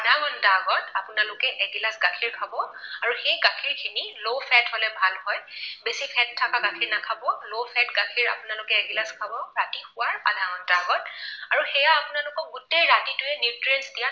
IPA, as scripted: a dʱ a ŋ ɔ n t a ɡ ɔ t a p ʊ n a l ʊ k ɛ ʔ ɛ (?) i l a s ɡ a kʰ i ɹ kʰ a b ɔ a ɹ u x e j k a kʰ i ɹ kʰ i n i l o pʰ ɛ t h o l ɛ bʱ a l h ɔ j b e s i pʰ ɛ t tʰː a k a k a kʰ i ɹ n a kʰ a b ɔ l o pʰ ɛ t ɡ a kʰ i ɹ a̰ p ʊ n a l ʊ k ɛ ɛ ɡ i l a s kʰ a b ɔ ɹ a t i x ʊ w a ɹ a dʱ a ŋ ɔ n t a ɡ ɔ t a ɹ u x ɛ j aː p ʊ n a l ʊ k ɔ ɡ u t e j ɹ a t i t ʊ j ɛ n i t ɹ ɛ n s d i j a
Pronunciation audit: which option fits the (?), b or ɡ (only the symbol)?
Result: ɡ